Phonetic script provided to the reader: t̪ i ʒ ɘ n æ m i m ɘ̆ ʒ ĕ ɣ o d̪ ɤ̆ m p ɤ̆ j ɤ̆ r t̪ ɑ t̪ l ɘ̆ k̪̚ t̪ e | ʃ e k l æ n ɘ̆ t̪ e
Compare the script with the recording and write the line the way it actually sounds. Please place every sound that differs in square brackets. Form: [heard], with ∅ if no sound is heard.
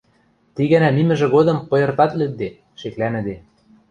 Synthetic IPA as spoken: t̪ i [ɣ] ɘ n æ m i m ɘ̆ ʒ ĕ ɣ o d̪ ɤ̆ m p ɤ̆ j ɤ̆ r t̪ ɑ t̪ l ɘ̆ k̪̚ [d̪] e | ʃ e k l æ n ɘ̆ [d̪] e